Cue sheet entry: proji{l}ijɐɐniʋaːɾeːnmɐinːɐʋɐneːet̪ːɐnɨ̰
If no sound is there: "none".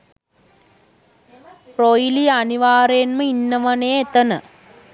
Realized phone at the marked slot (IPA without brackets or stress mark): l